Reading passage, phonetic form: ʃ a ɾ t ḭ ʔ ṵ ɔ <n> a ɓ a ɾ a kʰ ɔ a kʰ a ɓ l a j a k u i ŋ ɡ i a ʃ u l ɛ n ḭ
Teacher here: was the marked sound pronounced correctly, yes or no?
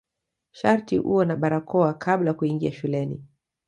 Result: yes